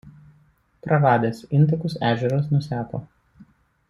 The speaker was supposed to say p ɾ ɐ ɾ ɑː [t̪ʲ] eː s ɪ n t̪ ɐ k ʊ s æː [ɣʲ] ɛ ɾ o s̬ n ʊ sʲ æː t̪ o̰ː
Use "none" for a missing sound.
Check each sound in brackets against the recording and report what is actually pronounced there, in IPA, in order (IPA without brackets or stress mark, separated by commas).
d̪ʲ, ʒʲ